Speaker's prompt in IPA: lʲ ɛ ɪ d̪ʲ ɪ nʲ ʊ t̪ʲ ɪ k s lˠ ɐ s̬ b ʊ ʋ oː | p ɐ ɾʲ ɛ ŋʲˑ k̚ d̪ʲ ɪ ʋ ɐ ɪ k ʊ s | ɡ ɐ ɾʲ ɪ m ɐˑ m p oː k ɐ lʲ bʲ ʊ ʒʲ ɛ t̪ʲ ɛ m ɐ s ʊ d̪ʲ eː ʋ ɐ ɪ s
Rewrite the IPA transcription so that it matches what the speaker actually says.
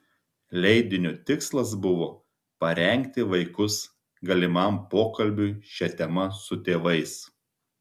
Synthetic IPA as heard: lʲ ɛ ɪ d̪ʲ ɪ nʲ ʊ t̪ʲ ɪ k s lˠ ɐ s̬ b ʊ ʋ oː | p ɐ ɾʲ ɛ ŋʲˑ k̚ t̪ʲ ɪ ʋ ɐ ɪ k ʊ s | ɡ ɐ lʲ ɪ m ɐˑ m p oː k ɐ lʲ bʲ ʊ ʃʲ ɛ t̪ʲ ɛ m ɐ s ʊ t̪ʲ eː ʋ ɐ ɪ s